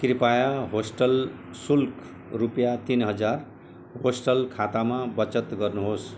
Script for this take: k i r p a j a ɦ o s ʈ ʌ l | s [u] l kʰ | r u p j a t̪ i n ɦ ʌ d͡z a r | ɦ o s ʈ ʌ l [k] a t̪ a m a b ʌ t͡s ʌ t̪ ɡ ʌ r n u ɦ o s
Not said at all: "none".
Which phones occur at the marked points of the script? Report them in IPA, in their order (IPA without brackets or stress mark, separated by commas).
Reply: u, kʰ